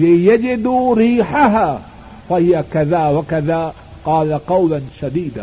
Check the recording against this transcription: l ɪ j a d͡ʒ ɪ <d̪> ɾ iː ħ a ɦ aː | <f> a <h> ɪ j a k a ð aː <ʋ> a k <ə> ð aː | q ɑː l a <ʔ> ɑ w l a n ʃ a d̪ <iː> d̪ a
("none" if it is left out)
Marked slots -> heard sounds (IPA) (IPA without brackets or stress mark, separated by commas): d̪, f, h, w, a, q, iː